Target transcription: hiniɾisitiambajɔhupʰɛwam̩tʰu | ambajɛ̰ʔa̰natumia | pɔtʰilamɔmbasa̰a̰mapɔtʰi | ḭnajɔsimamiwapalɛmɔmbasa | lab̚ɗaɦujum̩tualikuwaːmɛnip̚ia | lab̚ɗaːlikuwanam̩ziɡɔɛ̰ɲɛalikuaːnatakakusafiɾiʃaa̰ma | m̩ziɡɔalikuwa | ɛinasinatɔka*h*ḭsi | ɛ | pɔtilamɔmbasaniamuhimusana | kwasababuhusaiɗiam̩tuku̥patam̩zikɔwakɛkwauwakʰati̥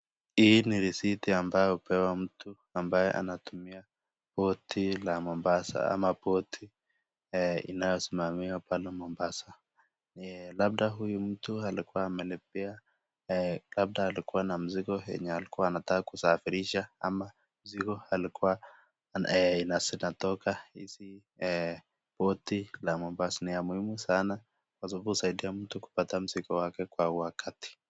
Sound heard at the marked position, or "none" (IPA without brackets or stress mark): h